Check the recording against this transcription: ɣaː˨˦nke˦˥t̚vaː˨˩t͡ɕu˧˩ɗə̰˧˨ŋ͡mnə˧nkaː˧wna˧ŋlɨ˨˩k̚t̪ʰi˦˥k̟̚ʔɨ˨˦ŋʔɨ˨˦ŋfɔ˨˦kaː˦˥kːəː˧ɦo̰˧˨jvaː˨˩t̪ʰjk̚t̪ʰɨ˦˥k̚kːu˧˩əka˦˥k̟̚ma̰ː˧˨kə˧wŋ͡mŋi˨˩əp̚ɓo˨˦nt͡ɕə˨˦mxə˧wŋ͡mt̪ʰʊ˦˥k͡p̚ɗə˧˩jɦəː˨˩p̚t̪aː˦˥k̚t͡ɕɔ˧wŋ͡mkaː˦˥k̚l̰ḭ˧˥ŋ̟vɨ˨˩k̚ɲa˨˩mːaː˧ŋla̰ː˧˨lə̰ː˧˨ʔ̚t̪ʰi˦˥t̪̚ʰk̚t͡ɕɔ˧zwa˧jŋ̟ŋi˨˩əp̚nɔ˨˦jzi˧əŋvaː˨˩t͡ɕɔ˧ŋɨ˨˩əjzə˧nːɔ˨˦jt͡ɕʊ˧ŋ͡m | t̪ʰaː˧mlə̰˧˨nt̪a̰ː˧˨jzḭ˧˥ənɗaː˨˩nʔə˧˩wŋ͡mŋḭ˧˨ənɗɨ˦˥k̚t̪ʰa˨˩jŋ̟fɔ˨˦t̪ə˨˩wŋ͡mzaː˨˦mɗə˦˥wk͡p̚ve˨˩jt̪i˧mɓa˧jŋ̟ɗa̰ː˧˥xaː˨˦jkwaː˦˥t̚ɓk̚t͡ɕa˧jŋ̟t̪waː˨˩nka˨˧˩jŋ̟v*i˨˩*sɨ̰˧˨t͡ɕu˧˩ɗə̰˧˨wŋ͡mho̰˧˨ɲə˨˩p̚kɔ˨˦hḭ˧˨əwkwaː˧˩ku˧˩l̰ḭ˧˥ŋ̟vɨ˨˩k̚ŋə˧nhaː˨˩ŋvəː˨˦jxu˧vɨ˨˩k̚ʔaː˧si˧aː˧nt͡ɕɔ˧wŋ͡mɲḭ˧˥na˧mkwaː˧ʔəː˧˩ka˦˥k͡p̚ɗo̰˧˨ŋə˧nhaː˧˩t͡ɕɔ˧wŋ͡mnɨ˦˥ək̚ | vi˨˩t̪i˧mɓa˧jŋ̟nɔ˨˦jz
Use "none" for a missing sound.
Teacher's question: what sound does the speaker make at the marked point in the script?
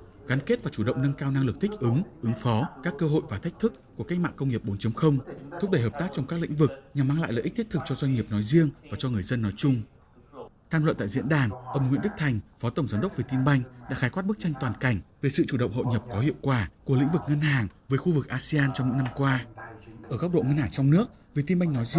e˨˩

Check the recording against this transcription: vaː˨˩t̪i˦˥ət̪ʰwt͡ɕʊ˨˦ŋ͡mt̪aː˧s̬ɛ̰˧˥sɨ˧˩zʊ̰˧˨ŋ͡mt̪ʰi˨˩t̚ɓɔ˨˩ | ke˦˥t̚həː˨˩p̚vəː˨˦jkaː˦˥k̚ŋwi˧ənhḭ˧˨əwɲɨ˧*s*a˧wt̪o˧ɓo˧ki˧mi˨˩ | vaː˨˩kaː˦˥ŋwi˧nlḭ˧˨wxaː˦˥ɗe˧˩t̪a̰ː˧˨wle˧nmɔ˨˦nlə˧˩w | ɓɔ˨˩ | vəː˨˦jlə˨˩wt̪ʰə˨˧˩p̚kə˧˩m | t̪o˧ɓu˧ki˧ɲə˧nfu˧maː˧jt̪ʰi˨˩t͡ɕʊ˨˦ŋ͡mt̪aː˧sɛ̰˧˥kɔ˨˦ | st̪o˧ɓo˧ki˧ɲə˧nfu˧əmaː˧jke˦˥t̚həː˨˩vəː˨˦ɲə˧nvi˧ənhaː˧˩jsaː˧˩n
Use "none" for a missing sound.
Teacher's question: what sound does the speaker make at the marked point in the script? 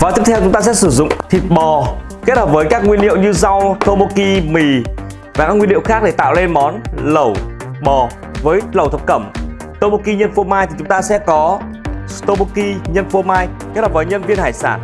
z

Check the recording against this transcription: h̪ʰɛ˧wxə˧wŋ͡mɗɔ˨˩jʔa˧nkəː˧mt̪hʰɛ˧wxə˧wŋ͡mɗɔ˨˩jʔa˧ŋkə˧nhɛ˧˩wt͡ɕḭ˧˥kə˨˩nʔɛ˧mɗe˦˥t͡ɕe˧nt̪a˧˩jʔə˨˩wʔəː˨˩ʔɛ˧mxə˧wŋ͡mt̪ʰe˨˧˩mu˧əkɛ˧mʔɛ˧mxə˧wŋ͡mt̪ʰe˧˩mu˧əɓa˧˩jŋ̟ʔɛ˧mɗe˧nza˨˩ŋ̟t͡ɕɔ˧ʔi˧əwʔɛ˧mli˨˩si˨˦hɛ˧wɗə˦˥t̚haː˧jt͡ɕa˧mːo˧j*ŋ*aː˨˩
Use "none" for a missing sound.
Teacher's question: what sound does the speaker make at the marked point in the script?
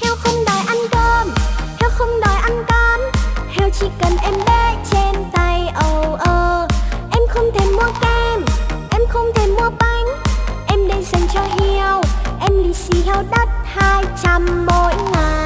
ŋ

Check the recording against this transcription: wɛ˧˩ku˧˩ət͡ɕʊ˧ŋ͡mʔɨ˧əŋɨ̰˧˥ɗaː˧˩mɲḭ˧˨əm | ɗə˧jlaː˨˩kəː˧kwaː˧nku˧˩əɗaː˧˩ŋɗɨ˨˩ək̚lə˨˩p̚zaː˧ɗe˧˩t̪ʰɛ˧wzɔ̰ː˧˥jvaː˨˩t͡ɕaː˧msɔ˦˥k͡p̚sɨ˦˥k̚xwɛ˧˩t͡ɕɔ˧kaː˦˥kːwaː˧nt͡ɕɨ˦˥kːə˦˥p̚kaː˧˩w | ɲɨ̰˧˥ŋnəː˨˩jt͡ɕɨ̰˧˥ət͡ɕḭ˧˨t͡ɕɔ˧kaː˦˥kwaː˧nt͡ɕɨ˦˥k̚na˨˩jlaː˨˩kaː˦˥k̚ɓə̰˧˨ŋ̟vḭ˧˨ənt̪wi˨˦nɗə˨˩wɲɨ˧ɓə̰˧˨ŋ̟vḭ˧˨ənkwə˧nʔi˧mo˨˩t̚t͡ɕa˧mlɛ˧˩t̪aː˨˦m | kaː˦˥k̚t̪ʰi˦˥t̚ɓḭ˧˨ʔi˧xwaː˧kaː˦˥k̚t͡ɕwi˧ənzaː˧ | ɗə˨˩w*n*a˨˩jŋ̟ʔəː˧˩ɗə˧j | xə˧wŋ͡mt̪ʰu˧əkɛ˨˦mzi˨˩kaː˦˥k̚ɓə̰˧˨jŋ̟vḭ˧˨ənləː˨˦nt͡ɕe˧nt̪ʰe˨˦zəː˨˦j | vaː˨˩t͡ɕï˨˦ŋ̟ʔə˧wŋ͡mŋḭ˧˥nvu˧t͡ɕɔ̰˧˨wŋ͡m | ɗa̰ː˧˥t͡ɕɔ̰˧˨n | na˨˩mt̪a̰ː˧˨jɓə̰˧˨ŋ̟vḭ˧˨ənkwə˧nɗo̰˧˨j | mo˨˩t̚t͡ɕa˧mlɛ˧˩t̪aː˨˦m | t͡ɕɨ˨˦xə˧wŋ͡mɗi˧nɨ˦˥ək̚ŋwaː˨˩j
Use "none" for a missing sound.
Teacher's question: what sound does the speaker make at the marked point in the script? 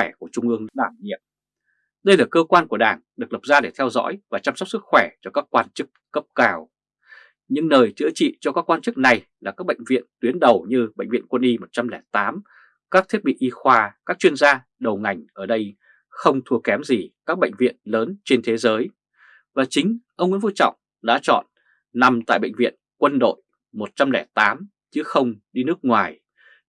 ŋ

